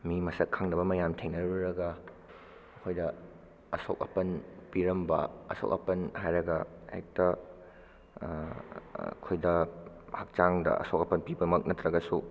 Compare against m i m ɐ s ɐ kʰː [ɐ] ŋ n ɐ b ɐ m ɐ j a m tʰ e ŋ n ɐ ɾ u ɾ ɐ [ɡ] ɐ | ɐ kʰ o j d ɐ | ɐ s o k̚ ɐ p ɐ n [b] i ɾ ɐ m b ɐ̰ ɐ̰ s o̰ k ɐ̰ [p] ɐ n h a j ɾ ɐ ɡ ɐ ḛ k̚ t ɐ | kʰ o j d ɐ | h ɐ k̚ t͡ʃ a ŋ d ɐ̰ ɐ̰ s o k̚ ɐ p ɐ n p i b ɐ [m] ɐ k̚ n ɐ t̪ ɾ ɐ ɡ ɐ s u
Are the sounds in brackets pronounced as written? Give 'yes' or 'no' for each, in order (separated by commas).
no, yes, no, yes, yes